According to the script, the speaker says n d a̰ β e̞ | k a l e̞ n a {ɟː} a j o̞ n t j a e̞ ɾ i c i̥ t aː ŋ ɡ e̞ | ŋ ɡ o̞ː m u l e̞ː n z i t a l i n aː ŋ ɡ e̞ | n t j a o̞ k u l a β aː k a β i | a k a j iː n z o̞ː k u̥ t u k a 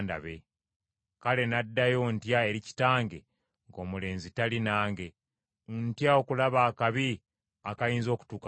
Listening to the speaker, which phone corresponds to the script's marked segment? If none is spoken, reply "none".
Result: dː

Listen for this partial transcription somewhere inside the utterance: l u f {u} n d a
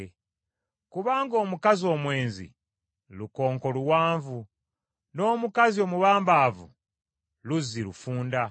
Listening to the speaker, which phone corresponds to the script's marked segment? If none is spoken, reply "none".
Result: uː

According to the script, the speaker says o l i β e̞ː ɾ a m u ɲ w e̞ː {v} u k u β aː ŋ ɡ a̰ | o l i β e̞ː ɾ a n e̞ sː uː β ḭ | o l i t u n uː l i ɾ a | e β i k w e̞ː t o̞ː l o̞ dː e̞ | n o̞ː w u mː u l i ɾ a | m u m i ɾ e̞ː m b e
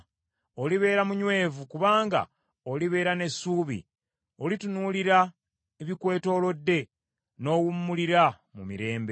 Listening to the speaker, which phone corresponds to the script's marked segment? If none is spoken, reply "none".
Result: v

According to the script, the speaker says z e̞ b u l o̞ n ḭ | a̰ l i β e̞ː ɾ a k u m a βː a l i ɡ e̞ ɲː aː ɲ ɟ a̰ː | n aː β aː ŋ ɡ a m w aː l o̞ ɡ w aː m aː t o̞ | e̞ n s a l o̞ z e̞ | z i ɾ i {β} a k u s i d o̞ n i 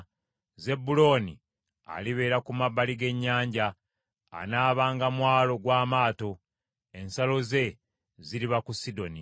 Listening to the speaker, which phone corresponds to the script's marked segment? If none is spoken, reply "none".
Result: β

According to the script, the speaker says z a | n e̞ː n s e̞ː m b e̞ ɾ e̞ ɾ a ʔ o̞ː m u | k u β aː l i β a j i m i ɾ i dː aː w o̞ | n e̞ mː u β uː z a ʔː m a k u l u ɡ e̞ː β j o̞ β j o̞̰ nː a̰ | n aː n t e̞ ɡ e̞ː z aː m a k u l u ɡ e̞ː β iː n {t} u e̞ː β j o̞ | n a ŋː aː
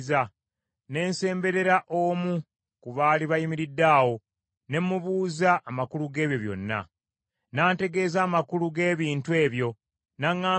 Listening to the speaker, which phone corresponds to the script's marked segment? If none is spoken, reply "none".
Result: t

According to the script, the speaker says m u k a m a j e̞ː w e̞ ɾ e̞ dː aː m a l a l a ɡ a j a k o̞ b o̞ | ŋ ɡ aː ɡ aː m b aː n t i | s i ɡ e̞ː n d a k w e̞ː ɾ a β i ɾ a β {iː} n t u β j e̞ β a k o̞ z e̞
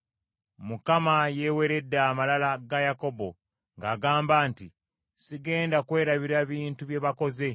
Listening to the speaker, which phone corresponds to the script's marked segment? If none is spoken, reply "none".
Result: iː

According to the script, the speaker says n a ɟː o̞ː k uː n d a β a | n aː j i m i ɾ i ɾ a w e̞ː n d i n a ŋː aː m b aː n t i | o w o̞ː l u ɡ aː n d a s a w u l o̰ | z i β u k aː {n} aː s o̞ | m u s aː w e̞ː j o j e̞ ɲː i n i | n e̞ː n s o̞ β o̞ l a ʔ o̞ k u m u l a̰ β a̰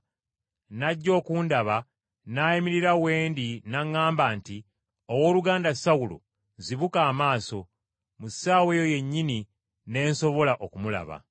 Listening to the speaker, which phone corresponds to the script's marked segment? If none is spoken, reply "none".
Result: m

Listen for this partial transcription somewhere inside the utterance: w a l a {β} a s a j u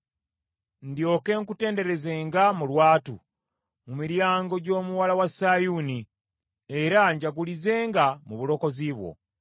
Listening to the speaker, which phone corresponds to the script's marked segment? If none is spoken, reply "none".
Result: w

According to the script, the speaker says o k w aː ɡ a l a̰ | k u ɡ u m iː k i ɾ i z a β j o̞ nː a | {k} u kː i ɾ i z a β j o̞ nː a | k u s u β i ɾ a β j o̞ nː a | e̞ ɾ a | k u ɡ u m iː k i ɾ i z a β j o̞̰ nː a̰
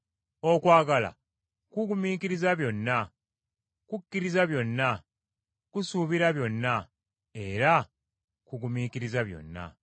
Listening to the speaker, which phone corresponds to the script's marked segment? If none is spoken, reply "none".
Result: k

